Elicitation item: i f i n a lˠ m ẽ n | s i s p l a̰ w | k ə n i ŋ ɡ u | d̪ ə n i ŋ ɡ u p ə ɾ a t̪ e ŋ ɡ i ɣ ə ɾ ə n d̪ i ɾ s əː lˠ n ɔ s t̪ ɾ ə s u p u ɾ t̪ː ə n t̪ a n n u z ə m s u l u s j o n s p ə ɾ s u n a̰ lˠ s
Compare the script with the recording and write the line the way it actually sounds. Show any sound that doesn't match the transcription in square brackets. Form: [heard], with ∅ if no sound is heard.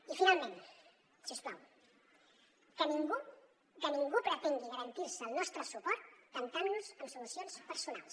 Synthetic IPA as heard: i f i n a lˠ m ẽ n | s i s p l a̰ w | k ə n i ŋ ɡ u | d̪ ə n i ŋ ɡ u p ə ɾ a t̪ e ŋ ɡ i ɣ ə ɾ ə n [t̪] i ɾ s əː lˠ n ɔ s t̪ ɾ ə s u p [ɔ] ɾ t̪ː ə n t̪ a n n u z ə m s u l u s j o n s p ə ɾ s u n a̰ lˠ s